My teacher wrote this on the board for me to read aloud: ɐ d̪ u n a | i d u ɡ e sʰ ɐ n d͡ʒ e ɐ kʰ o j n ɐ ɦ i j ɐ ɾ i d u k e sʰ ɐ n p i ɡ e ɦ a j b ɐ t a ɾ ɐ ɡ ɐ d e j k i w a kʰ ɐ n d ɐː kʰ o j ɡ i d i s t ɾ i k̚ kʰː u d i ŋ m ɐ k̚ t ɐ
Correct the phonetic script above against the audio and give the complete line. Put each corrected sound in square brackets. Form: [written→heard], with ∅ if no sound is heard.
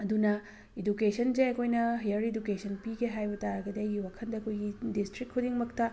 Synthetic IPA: ɐ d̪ u n [a→ɐ] | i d u [ɡ→k] e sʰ ɐ n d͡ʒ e ɐ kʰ o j n ɐ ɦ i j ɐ ɾ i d u k e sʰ ɐ n p i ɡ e ɦ a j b ɐ t a ɾ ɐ ɡ ɐ d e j [k→ɡ] i w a kʰ ɐ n d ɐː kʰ o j ɡ i d i s t ɾ i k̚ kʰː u d i ŋ m ɐ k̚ t ɐ